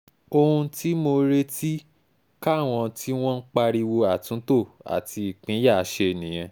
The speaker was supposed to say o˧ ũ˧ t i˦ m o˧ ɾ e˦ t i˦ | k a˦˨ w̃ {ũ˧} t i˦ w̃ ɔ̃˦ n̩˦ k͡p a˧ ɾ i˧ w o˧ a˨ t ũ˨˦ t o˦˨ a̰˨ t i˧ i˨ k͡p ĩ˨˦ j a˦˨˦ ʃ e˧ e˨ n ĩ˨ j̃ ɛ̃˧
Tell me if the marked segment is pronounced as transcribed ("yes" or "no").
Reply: no